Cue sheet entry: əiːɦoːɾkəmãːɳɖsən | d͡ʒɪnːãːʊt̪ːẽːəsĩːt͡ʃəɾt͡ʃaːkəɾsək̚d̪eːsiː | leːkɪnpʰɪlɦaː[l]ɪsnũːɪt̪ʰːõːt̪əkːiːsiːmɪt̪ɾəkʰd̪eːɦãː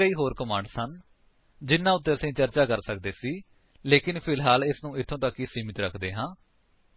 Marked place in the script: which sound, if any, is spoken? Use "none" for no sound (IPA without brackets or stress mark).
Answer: l